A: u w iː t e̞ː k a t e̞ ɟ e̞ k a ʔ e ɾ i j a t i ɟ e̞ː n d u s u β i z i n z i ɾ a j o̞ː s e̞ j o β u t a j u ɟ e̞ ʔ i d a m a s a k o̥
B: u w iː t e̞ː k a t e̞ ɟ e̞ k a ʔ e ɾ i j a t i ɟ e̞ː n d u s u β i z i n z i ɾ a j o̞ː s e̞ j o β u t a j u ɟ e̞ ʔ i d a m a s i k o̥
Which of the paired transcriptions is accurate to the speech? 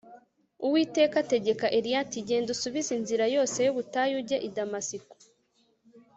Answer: B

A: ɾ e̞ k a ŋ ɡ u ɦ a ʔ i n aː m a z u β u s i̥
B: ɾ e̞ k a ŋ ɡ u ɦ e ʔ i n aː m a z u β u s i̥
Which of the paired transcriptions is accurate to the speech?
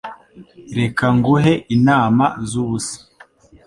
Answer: B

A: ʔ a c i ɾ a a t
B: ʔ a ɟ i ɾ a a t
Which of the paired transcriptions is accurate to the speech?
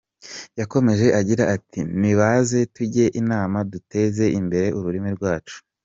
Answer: B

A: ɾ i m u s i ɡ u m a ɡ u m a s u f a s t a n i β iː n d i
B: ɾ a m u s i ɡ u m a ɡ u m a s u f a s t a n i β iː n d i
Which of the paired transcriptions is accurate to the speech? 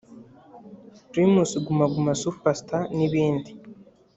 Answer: A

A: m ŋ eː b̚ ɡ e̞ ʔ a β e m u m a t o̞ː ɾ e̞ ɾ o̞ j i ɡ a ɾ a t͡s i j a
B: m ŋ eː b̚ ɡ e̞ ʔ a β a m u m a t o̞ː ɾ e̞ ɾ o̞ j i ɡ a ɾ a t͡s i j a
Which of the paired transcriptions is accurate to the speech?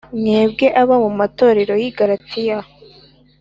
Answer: B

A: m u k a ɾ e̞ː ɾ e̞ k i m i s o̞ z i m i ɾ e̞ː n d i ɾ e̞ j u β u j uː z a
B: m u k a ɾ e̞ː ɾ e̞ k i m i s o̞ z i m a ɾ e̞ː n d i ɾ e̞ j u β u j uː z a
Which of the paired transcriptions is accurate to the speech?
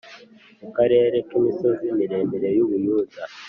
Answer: A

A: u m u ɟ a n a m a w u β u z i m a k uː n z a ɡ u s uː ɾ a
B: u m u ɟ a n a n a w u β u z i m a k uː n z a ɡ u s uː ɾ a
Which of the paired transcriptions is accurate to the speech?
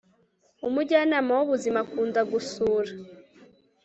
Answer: A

